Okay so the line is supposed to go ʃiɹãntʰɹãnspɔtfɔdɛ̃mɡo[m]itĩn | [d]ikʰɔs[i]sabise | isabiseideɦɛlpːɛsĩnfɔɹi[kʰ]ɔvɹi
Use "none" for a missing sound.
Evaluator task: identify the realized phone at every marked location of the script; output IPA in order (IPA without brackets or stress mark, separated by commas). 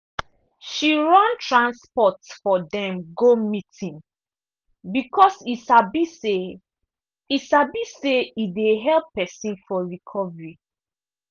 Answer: m, b, i, kʰ